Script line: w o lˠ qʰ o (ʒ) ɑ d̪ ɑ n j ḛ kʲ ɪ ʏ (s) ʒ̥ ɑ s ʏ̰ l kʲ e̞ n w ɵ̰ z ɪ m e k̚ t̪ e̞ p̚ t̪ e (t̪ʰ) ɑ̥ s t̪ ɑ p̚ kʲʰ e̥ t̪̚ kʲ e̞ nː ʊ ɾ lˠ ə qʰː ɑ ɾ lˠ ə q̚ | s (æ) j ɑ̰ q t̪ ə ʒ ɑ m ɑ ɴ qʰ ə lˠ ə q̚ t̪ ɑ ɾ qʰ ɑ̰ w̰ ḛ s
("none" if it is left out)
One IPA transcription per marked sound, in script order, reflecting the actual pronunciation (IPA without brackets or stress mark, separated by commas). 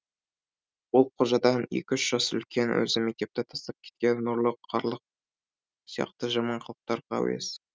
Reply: ʒ, ʃ, t̪ʰ, i